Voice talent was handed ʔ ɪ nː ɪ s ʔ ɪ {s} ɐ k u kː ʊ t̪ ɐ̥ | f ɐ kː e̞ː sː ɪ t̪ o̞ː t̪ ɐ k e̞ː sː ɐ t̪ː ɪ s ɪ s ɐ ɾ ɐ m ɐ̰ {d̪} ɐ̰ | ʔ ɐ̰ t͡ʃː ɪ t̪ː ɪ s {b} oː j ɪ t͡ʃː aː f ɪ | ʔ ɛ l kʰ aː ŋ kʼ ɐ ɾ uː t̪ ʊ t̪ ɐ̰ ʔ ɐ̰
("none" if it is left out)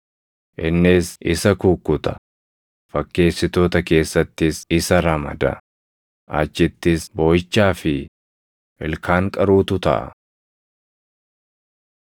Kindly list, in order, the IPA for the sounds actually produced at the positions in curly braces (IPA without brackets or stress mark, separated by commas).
s, d̪, b